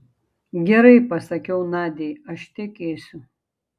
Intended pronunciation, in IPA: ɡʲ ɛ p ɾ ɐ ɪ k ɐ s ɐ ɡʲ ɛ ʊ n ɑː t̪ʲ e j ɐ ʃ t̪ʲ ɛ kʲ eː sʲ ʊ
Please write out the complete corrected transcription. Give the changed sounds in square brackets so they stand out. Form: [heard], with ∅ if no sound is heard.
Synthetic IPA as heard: ɡʲ ɛ [∅] ɾ ɐ ɪ [p] ɐ s ɐ [kʲ] ɛ ʊ n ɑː [d̪ʲ] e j ɐ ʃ t̪ʲ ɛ kʲ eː sʲ ʊ